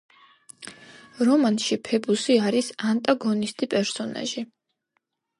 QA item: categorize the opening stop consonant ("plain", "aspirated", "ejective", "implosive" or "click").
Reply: aspirated